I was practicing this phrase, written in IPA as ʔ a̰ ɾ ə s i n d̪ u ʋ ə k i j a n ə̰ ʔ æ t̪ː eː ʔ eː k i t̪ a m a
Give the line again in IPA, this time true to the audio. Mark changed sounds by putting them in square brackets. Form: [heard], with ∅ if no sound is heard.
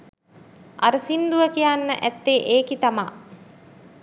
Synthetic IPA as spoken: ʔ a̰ ɾ ə s i n d̪ u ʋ ə k i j a [nː] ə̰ ʔ æ t̪ː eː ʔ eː k i t̪ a m a